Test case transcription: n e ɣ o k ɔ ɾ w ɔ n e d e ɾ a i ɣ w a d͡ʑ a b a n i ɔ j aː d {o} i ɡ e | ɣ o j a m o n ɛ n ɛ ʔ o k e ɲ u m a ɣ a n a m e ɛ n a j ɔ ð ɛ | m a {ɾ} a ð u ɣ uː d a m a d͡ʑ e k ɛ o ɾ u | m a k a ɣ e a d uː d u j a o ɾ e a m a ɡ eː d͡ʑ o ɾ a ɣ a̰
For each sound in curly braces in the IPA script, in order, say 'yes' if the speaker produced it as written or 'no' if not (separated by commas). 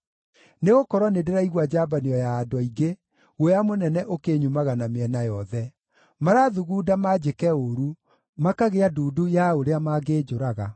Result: no, yes